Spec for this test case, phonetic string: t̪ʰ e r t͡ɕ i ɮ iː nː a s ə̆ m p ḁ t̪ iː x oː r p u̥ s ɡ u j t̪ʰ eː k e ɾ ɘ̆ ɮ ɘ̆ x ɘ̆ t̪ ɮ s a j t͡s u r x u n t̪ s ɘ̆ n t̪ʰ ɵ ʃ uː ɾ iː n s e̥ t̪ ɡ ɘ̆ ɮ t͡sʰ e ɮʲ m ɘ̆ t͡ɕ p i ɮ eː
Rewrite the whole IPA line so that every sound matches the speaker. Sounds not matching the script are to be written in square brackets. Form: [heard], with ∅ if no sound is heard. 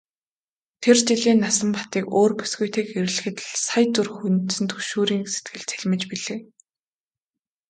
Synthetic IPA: t̪ʰ e r t͡ɕ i ɮ iː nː a s ə̆ m p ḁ t̪ iː [k] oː r p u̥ s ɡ u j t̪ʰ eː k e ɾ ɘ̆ ɮ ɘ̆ x ɘ̆ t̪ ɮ s a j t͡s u r x u n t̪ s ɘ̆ n t̪ʰ ɵ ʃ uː ɾ iː [ŋ] s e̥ t̪ ɡ ɘ̆ ɮ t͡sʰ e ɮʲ m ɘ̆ t͡ɕ p i ɮ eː